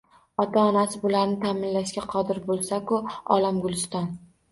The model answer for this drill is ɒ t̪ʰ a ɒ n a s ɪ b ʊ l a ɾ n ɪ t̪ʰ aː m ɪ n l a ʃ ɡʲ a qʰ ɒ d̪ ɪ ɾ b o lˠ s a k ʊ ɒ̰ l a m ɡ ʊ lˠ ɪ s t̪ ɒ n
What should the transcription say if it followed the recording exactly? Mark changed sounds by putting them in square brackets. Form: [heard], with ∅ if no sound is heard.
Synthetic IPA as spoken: ɒ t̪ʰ a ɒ n a s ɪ b ʊ l a ɾ n ɪ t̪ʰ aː m ɪ n l a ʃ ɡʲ a qʰ ɒ d̪ ɪ ɾ b o lˠ s a k ʊ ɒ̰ l a m ɡ ʊ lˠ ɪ s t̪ ɒ n